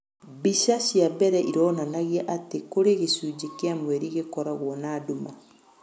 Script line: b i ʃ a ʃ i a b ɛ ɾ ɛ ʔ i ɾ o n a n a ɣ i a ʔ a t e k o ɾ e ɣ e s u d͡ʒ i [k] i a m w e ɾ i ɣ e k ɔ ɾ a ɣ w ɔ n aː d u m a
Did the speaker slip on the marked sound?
no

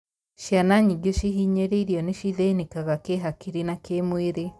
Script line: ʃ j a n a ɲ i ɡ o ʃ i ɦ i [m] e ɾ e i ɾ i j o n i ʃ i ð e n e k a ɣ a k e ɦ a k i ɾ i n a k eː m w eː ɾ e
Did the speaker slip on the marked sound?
yes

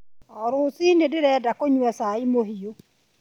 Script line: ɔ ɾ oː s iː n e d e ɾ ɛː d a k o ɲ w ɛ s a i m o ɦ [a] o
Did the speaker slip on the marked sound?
yes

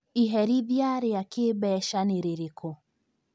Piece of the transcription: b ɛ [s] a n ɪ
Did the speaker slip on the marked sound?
yes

